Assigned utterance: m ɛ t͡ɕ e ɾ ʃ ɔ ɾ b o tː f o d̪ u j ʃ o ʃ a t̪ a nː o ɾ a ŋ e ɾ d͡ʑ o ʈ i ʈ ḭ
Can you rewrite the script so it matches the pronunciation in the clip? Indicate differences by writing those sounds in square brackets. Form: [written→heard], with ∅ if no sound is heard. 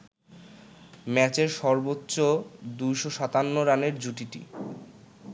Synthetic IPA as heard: m ɛ t͡ɕ e ɾ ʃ ɔ ɾ b o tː [f→ɕ] o d̪ u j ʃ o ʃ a t̪ a nː o ɾ a [ŋ→n] e ɾ d͡ʑ [o→u] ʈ i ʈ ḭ